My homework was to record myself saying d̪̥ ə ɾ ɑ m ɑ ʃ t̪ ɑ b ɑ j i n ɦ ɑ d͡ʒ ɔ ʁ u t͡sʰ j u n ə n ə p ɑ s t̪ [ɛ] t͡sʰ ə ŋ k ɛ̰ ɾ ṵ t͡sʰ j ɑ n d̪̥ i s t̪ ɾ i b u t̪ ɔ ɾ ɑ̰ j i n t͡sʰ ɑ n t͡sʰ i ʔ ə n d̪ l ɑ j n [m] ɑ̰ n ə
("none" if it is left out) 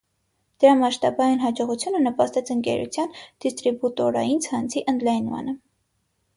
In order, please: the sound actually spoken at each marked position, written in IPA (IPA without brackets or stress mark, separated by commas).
ɛ, m